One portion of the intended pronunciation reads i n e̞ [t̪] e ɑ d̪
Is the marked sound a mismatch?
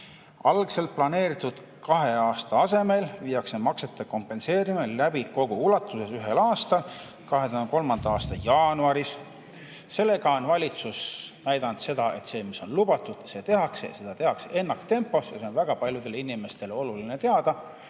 no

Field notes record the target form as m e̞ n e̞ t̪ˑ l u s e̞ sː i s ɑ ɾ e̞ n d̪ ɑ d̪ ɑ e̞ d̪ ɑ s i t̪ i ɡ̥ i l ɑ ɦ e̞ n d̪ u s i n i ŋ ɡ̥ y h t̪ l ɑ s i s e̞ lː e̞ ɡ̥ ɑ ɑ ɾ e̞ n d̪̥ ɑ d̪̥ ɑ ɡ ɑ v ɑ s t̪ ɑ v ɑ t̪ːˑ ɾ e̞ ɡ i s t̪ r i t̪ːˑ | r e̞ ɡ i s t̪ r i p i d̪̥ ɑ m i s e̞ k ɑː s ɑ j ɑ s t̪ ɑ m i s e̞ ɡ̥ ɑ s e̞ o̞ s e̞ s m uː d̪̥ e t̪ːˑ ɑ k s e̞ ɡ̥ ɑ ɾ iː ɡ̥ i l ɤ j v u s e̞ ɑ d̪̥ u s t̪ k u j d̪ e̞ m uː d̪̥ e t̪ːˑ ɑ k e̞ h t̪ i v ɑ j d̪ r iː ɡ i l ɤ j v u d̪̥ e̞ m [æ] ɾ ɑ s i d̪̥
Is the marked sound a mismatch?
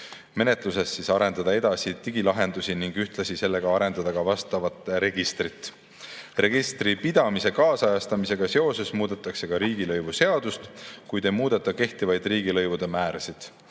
yes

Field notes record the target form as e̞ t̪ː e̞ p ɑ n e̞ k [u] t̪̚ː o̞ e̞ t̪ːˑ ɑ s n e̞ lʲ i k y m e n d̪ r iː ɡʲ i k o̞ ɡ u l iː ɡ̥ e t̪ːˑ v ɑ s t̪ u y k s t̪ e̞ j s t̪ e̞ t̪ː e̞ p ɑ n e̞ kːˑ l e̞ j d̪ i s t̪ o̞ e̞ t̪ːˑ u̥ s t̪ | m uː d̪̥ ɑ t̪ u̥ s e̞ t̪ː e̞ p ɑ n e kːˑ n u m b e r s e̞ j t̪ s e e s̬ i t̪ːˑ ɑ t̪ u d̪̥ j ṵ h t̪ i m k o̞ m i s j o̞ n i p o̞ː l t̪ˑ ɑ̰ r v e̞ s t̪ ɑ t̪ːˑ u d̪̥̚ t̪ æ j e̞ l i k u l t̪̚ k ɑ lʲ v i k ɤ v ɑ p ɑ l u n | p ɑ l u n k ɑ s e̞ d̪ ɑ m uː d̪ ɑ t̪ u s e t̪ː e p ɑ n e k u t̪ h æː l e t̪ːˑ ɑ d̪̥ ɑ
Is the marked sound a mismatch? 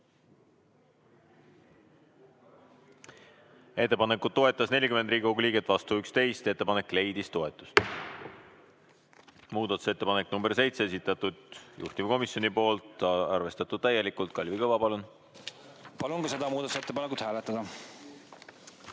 no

